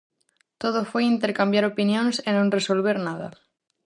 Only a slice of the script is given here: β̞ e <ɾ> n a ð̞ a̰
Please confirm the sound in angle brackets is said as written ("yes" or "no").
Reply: yes